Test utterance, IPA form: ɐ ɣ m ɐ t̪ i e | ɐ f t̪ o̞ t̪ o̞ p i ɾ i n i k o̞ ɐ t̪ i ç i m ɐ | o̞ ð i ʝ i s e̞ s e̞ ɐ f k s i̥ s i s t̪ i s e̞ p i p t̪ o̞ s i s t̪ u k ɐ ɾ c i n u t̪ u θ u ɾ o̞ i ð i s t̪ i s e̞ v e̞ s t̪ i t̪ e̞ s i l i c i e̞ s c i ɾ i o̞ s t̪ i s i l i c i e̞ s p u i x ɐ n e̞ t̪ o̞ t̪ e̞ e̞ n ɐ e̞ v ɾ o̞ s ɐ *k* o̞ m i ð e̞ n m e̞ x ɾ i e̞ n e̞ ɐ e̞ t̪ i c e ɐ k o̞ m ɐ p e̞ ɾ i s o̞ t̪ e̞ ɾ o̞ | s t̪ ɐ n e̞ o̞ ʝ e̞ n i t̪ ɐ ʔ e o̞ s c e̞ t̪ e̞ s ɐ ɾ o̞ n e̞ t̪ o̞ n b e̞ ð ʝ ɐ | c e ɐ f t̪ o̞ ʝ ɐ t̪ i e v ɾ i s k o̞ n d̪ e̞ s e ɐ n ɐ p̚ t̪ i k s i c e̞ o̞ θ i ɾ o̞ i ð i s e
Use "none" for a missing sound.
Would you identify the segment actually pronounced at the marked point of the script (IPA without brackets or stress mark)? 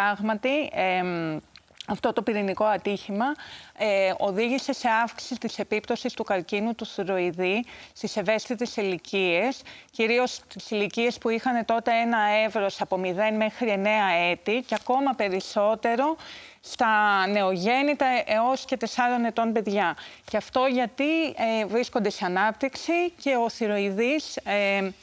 p